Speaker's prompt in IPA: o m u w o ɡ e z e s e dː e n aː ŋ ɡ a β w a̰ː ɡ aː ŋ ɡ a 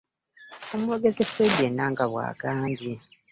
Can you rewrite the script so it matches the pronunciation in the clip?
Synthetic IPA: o m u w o ɡ e z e f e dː e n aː ŋ ɡ a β w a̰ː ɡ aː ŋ ɡ i